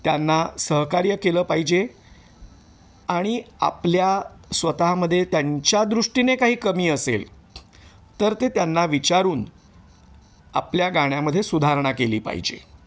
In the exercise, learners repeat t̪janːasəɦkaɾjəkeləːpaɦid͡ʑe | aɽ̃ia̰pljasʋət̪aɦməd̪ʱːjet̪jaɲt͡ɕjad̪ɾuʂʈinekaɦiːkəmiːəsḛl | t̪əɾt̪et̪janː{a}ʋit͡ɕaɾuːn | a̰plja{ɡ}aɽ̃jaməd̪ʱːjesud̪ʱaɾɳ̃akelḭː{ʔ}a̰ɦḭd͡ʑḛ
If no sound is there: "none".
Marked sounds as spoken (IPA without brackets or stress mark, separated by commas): a, ɡ, p